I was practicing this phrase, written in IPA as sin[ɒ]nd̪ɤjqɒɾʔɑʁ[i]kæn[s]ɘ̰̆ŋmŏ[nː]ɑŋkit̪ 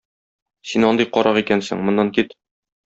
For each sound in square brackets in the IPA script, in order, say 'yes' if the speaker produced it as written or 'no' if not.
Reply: yes, yes, yes, yes

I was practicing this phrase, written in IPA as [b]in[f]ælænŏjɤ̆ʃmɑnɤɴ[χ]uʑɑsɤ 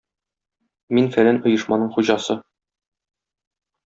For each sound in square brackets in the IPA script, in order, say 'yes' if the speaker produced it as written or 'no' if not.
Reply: no, yes, yes

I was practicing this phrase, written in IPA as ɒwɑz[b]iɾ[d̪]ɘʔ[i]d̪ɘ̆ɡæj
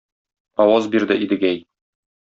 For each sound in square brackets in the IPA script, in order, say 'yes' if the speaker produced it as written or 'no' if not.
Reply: yes, yes, yes

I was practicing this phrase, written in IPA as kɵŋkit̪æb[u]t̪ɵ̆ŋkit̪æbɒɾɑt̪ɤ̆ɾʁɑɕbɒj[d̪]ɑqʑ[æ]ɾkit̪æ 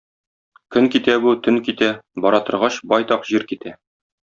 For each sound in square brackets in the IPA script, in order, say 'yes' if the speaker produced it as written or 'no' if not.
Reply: yes, no, no

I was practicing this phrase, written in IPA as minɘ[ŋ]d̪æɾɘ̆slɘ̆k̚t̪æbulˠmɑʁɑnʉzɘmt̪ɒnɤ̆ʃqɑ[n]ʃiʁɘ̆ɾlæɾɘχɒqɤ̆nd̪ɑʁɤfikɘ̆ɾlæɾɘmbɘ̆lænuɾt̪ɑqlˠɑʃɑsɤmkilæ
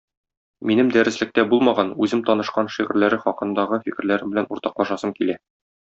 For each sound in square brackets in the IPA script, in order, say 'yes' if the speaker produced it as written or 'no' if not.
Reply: no, yes

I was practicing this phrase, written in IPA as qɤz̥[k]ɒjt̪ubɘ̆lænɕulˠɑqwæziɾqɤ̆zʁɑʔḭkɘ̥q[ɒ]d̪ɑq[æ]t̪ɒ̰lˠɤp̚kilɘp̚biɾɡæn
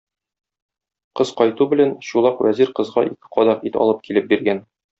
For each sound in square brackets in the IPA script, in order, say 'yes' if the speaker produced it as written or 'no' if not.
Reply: no, yes, no

